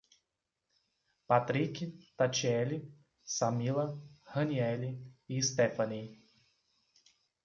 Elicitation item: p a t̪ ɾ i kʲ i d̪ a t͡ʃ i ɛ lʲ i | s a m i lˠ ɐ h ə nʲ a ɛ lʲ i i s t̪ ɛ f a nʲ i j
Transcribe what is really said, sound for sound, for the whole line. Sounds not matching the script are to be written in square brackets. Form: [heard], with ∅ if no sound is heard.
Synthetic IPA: p a t̪ ɾ i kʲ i [t̪] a t͡ʃ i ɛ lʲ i | s a m i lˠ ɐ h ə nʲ [i] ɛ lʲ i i s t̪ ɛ f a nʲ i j